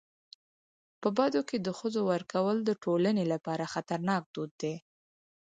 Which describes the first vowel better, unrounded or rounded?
unrounded